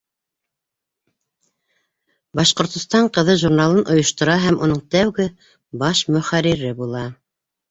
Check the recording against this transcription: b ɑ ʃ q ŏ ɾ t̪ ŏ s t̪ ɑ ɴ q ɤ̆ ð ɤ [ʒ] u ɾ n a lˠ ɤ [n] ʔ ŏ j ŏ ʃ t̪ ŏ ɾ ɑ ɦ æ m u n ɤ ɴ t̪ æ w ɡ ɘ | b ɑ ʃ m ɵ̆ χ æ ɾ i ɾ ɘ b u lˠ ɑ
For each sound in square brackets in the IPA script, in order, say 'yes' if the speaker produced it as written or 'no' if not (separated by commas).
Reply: yes, yes